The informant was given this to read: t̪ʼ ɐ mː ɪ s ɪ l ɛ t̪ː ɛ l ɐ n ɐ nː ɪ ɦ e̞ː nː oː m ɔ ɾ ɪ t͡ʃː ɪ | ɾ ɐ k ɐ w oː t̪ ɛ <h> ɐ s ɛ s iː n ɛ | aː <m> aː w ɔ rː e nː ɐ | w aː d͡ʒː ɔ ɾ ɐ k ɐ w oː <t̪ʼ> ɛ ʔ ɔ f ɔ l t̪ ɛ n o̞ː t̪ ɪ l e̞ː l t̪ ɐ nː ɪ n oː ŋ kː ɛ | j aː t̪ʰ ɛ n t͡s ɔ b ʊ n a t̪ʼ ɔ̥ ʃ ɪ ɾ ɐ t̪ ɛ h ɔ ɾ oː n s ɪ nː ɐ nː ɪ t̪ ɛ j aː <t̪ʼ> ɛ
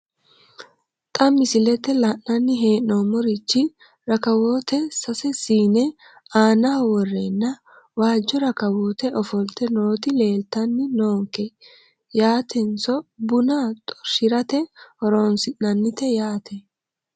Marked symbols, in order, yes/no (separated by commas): no, no, no, no